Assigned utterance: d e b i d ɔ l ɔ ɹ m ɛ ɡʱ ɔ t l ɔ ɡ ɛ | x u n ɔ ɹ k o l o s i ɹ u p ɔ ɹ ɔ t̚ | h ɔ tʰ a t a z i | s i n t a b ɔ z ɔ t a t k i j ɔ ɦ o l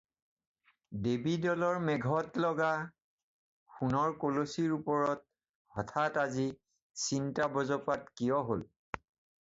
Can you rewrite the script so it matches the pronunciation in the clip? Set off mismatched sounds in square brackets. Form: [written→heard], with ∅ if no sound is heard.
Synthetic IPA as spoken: d e b i d ɔ l ɔ ɹ m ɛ ɡʱ ɔ t l ɔ ɡ [ɛ→a] | x u n ɔ ɹ k o l o s i ɹ u p ɔ ɹ ɔ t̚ | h ɔ tʰ a t a z i | s i n t a b ɔ z ɔ [t→p] a t k i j ɔ ɦ o l